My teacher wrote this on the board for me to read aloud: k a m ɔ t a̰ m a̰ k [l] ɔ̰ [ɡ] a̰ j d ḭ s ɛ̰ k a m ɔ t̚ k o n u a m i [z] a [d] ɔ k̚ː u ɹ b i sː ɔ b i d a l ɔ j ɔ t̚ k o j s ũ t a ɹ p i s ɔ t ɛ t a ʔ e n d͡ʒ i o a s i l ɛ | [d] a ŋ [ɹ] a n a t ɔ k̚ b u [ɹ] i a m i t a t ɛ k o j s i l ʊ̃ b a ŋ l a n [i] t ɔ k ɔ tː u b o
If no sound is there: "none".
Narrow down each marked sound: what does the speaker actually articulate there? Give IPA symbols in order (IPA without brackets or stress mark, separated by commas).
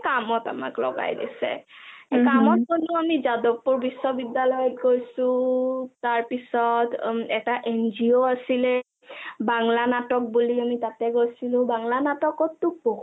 l, ɡ, z, d, b, l, l, a